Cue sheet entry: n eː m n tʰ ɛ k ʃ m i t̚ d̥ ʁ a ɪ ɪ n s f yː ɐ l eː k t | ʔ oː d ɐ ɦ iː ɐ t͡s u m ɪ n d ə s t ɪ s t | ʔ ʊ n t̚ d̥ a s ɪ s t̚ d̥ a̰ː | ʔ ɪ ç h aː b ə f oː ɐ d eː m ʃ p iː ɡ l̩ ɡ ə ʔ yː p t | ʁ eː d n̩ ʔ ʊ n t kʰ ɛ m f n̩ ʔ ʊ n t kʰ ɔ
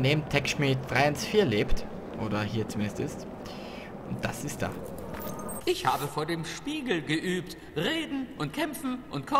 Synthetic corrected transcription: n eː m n tʰ ɛ k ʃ m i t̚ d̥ ʁ a ɪ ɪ n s f iː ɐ l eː p t | ʔ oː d ɐ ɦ iː ɐ t͡s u m ɪ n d ə s t ɪ s t | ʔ ʊ n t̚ d̥ a s ɪ s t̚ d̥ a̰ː | ʔ ɪ ç h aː b ə f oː ɐ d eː m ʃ p iː ɡ l̩ ɡ ə ʔ yː p t | ʁ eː d n̩ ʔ ʊ n t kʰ ɛ m f n̩ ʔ ʊ n t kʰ ɔ